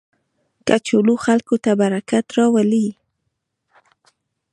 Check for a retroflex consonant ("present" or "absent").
absent